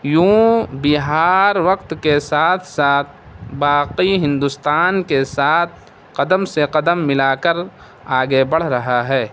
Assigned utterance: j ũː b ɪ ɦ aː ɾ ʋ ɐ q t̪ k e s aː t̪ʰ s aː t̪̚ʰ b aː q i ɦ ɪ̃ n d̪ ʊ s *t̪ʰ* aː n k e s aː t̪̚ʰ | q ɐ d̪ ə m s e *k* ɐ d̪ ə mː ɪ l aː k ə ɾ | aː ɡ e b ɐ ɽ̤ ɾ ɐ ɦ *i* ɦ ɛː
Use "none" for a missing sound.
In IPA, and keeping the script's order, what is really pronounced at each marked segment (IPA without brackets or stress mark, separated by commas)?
t̪, q, a